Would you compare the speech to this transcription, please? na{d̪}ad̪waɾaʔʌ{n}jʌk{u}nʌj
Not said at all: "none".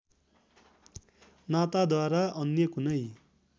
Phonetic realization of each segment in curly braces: t̪, n, u

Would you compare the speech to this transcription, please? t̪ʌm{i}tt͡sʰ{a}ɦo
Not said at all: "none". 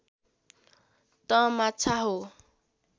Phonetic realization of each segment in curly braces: a, a

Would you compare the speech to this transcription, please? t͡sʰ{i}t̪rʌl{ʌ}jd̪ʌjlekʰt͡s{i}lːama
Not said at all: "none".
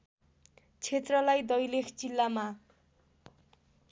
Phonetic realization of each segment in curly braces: e, a, i

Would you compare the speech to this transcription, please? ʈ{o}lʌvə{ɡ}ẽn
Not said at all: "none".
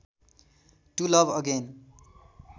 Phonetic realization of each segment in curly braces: u, ɡ

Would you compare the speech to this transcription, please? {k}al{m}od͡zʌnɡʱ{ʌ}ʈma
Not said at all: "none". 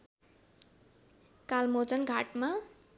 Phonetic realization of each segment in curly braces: k, m, a

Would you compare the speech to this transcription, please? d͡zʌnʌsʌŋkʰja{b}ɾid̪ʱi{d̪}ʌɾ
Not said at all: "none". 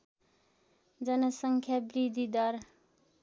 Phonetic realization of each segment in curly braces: b, d̪

